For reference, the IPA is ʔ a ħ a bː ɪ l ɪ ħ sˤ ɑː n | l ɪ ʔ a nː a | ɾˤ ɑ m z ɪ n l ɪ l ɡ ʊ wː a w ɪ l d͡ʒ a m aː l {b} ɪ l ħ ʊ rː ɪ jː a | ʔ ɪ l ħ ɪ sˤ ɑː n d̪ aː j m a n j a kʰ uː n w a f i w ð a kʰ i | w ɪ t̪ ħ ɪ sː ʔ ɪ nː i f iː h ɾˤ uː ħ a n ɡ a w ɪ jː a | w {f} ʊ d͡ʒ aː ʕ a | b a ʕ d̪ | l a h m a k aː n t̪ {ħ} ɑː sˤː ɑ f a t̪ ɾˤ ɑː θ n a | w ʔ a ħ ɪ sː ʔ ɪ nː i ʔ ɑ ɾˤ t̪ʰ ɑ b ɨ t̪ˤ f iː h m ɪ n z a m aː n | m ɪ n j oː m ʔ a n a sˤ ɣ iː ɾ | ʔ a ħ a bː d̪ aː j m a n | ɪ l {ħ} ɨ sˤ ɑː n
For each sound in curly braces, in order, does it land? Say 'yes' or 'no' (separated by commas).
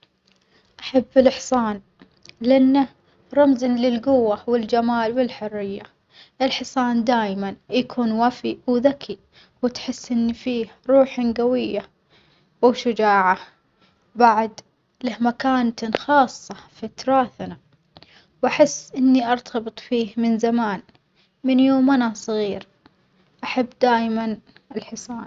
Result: no, no, no, yes